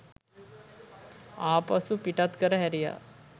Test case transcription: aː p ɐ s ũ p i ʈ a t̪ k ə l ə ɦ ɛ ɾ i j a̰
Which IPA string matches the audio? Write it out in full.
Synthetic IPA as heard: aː p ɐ s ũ p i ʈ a t̪ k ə ɾ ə ɦ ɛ ɾ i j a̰